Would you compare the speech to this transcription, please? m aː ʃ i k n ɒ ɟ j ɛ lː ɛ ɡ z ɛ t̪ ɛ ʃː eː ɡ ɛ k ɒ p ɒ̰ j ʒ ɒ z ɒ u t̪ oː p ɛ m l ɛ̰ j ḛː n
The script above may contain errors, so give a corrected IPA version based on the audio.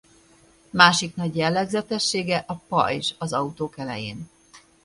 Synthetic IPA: m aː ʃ i k n ɒ ɟ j ɛ lː ɛ ɡ z ɛ t̪ ɛ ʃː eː ɡ ɛ ʔ ɒ p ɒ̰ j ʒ ɒ z ɒ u t̪ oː k ɛ l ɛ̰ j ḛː n

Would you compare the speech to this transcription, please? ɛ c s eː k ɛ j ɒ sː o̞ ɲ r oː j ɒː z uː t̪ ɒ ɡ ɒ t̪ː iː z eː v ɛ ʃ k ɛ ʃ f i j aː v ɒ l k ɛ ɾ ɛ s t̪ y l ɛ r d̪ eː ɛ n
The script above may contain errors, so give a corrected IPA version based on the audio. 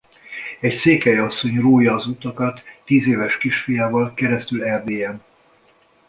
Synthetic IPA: ɛ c s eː k ɛ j ɒ sː o̞ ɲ r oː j ɒː z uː t̪ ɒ k ɒ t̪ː iː z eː v ɛ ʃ k i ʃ f i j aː v ɒ l k ɛ ɾ ɛ s t̪ y l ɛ r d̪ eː ɛ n

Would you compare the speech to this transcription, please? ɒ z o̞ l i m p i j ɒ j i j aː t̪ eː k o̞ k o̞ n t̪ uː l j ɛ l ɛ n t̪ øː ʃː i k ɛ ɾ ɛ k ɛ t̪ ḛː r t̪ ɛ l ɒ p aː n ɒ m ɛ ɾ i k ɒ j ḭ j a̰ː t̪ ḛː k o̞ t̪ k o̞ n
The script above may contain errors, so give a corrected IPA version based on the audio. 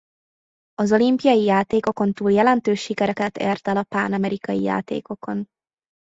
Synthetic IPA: ɒ z o̞ l i m p i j ɒ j i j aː t̪ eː k o̞ k o̞ n t̪ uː l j ɛ l ɛ n t̪ øː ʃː i k ɛ ɾ ɛ k ɛ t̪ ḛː r t̪ ɛ l ɒ p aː n ɒ m ɛ ɾ i k ɒ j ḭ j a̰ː t̪ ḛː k o̞ k o̞ n

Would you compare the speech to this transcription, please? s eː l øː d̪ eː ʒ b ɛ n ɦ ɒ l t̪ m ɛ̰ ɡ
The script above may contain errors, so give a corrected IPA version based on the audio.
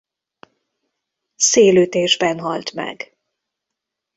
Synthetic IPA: s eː l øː t̪ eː ʒ b ɛ n ɦ ɒ l t̪ m ɛ̰ ɡ

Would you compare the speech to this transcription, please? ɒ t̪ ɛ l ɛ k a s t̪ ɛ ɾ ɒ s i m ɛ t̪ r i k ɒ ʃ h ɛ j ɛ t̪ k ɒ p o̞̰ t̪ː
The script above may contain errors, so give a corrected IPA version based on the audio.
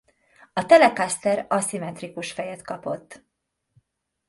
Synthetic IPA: ɒ t̪ ɛ l ɛ k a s t̪ ɛ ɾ ɒ s i m ɛ t̪ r i k u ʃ f ɛ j ɛ t̪ k ɒ p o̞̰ t̪ː

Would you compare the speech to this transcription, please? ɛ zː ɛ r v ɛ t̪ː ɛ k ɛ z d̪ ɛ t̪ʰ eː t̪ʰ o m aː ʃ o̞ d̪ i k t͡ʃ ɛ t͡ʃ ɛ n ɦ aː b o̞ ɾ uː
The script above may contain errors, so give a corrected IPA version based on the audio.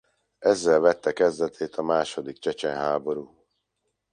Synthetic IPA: ɛ zː ɛ l v ɛ t̪ː ɛ k ɛ z d̪ ɛ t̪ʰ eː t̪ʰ ɒ m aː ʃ o̞ d̪ i k t͡ʃ ɛ t͡ʃ ɛ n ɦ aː b o̞ ɾ uː

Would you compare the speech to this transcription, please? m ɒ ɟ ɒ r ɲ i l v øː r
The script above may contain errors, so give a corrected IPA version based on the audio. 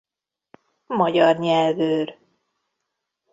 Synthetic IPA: m ɒ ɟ ɒ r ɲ ɛ l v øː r

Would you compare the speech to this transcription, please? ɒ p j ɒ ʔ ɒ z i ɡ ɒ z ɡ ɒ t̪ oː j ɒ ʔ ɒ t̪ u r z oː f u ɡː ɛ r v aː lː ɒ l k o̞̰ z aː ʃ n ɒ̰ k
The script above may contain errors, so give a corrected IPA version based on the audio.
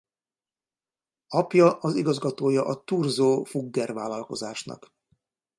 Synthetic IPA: ɒ p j ɒ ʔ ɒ z i ɡ ɒ z ɡ ɒ t̪ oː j ɒ ʔ ɒ t̪ u r z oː f u ɡː ɛ r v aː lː ɒ l k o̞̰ z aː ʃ n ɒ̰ k

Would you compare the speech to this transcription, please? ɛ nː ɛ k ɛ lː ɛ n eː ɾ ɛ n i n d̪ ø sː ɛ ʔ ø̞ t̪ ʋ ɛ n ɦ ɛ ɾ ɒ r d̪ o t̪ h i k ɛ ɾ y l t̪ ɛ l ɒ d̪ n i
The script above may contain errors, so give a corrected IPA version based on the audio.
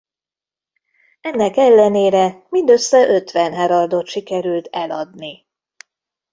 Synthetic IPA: ɛ nː ɛ k ɛ lː ɛ n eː ɾ ɛ m i n d̪ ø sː ɛ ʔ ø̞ t̪ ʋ ɛ n ɦ ɛ ɾ ɒ r d̪ o t̪ ʃ i k ɛ ɾ y l t̪ ɛ l ɒ d̪ n i

